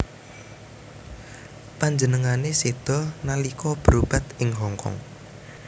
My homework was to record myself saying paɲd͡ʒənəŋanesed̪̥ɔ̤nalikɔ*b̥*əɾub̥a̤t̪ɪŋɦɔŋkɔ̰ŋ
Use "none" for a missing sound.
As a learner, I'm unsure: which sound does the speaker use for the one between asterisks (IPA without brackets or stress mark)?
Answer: b̥